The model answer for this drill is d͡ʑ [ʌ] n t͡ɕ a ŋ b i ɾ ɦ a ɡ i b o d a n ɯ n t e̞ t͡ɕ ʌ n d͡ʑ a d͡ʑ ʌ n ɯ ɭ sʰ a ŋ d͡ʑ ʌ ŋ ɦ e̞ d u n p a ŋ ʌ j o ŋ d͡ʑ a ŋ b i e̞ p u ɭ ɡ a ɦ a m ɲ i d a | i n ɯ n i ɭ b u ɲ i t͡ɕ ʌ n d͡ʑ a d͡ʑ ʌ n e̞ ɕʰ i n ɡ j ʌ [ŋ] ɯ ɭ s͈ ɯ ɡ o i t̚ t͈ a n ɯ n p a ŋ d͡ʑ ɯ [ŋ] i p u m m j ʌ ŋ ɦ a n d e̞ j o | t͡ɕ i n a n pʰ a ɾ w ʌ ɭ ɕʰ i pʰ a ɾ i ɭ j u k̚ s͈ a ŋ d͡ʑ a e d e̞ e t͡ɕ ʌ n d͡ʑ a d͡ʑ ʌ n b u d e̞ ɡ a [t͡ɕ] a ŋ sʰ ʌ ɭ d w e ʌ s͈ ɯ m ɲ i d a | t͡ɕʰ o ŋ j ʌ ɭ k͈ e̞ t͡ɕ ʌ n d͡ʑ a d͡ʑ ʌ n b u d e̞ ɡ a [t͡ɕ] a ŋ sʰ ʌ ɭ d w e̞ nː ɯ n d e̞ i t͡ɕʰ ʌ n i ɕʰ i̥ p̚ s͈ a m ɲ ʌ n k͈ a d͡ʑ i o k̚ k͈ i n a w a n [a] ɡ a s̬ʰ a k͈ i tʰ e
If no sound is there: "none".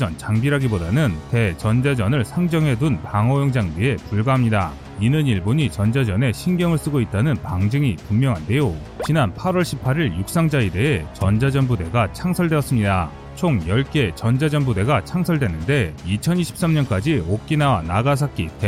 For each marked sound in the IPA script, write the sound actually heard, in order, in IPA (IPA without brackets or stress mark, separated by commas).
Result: ʌ, ŋ, ŋ, t͡ɕʰ, t͡ɕʰ, a